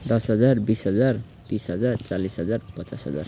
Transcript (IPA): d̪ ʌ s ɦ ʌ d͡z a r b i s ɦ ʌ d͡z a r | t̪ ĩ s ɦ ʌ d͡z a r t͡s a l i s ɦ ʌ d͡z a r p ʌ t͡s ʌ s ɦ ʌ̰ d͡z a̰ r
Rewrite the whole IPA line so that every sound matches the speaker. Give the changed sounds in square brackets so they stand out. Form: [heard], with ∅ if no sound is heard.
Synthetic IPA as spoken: d̪ ʌ s ɦ ʌ d͡z a r b i s ɦ ʌ d͡z a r | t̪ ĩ s ɦ ʌ d͡z a r t͡s a l i s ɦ ʌ d͡z a r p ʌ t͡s [a] s ɦ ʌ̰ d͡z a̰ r

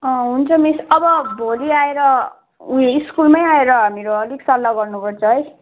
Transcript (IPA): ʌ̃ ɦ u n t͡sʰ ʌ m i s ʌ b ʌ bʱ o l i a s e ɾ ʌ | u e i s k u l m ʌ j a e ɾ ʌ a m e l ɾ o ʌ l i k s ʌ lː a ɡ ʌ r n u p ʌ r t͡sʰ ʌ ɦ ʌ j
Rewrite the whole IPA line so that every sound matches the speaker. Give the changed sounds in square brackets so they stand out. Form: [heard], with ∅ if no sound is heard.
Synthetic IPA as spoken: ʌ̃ ɦ u n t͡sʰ ʌ m i s ʌ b ʌ bʱ o l i a [∅] e ɾ ʌ | u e i s k u l m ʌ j a e ɾ ʌ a m e [∅] ɾ o ʌ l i k s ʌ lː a ɡ ʌ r n u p ʌ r t͡sʰ ʌ ɦ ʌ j

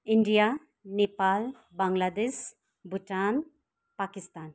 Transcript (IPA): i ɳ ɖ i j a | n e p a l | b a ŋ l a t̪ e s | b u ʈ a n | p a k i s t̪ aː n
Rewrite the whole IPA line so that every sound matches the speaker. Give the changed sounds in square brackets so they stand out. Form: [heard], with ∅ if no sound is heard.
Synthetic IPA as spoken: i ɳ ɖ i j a | n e p a l | b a ŋ l a [d̪] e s | b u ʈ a n | p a k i s t̪ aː n

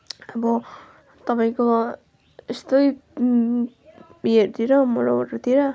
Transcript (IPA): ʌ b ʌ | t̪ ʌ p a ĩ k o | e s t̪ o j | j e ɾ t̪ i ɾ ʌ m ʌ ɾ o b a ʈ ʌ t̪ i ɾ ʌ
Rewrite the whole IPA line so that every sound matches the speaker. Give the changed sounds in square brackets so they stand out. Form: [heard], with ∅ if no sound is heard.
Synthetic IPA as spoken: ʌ b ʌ | t̪ ʌ p a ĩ k o | e s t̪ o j | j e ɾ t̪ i ɾ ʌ m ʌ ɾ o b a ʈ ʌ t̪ i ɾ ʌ

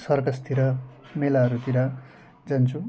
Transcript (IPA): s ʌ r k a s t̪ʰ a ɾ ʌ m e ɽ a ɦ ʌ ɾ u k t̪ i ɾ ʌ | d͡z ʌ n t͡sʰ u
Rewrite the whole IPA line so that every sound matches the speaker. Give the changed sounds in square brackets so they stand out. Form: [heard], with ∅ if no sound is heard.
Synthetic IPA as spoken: s ʌ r k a s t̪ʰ [i] ɾ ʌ m e [l] a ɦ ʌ ɾ u [∅] t̪ i ɾ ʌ | d͡z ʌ n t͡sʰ u

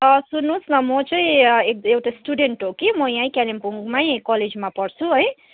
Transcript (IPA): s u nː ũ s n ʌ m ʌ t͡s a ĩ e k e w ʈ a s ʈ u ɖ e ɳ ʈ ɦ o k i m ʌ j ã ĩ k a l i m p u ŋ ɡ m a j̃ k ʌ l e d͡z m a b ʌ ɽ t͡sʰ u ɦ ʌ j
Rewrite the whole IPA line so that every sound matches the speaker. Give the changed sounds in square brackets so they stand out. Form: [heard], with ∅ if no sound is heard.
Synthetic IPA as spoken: s u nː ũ s n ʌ m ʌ t͡s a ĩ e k e w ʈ a s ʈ u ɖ e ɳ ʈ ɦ o k i m ʌ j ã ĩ k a l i m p u ŋ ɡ m a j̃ k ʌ l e d͡z m a [p] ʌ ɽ t͡sʰ u ɦ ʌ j

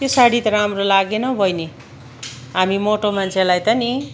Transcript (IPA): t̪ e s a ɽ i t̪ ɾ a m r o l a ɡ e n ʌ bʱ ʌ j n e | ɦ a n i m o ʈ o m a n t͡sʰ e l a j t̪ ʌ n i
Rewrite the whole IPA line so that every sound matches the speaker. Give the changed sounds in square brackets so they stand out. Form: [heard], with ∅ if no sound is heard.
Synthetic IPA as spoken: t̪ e s a ɽ i t̪ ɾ a m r o l a ɡ e n ʌ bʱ ʌ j n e | ɦ a [m] i m o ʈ o m a n t͡sʰ e l a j t̪ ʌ n i

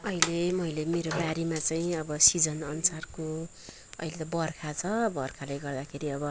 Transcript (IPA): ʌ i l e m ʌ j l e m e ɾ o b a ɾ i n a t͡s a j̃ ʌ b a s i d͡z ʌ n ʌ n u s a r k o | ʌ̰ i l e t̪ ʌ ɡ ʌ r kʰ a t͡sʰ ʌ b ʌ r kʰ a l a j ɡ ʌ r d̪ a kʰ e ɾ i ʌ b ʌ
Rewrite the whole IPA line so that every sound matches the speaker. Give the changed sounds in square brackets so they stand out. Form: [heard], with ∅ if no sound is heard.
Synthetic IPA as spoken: ʌ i l e m ʌ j l e m e ɾ o b a ɾ i [m] a t͡s a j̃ ʌ b [ʌ] s i d͡z ʌ n ʌ n u s a r k o | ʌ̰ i l e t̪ ʌ [b] ʌ r kʰ a t͡sʰ ʌ b ʌ r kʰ a l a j ɡ ʌ r d̪ a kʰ e ɾ i ʌ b ʌ

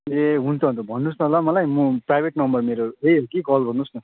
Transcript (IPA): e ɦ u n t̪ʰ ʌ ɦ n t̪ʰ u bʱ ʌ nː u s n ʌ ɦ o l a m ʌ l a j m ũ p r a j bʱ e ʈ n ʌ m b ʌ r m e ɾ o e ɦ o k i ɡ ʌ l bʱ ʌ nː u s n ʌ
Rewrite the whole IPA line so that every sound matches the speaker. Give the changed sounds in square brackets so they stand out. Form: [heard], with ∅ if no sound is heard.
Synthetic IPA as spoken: e ɦ u n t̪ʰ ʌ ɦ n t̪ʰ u bʱ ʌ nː u s n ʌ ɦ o l a m ʌ l a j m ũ p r a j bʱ e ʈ n ʌ m b ʌ r m e ɾ o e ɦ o k i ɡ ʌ l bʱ ʌ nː u s n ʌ

